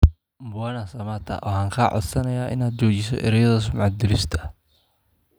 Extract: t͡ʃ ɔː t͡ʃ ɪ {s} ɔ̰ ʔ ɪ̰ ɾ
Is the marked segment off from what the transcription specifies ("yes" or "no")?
no